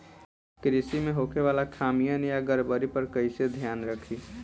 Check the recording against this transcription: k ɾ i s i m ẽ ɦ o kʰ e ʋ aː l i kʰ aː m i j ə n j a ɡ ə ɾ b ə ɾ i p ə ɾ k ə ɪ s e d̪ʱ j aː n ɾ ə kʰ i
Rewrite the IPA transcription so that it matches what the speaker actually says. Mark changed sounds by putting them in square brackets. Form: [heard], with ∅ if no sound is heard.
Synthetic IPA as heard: k ɾ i s i m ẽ ɦ o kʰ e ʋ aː l [a] kʰ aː m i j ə n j a ɡ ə ɾ b ə ɾ i p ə ɾ k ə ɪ s e d̪ʱ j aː n ɾ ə kʰ i